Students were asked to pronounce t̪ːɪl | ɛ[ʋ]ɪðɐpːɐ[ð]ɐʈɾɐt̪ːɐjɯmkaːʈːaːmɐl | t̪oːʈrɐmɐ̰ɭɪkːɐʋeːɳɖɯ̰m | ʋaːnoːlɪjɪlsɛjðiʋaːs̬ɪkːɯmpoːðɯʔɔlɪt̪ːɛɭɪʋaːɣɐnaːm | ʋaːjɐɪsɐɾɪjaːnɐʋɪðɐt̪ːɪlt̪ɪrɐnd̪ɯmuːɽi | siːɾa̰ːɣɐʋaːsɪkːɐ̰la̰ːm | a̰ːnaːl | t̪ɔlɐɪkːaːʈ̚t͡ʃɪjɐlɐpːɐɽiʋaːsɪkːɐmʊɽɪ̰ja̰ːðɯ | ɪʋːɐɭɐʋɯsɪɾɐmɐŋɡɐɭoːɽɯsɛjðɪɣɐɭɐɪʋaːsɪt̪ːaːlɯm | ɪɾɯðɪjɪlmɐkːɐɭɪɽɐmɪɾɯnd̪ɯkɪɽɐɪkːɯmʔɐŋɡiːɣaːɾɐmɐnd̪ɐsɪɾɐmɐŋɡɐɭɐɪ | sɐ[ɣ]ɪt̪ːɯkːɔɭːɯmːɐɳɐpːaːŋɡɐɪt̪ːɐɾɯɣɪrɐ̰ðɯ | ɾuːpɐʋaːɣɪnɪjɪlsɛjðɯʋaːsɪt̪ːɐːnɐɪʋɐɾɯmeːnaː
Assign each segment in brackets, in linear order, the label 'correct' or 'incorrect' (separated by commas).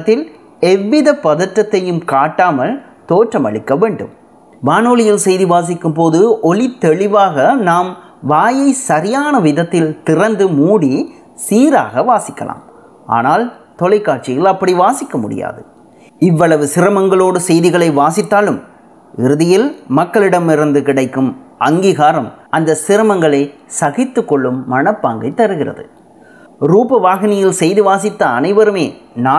incorrect, correct, correct